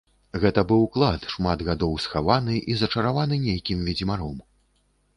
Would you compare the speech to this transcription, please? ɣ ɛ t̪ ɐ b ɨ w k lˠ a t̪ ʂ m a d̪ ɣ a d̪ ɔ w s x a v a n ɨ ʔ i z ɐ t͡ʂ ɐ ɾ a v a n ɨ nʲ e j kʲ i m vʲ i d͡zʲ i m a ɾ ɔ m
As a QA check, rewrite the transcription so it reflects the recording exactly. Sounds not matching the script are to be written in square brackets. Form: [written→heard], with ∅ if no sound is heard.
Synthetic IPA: ɣ ɛ t̪ ɐ b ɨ w k lˠ a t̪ ʂ m a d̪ ɣ a d̪ ɔ w s x a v a n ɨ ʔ i z ɐ t͡ʂ ɐ ɾ a v a n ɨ nʲ e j kʲ i m vʲ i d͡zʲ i m a ɾ ɔ m